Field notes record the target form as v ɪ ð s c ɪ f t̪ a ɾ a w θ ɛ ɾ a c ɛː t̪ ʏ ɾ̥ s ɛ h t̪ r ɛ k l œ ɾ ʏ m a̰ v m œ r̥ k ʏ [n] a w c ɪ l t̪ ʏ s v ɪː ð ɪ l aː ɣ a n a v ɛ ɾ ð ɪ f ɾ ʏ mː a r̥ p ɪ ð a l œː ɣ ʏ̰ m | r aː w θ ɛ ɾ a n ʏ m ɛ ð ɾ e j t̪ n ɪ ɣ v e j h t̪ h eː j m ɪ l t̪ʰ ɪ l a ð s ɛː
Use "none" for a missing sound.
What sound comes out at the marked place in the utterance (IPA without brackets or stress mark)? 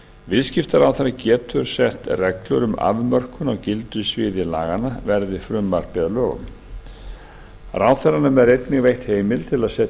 n